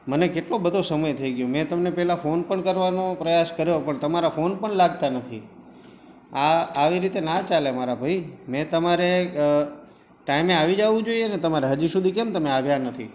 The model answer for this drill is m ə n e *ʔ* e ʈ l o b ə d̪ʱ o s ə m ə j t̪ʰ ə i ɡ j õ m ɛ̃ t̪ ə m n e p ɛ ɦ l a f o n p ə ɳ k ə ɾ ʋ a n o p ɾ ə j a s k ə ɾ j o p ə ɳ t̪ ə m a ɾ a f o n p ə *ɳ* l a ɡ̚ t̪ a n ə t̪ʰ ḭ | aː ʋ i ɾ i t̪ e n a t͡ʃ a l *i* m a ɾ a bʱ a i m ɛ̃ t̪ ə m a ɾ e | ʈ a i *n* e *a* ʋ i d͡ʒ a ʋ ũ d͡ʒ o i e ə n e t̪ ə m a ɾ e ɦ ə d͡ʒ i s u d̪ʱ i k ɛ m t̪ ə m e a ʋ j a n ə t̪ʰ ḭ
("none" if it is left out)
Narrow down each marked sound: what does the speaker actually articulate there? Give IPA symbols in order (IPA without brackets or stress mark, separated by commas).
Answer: k, ɳ, e, m, a